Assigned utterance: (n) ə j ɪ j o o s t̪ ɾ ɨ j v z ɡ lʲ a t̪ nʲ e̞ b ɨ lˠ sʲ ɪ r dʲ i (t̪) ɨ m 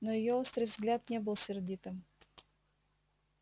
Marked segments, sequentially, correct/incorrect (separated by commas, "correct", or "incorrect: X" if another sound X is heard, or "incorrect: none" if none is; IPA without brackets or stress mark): correct, correct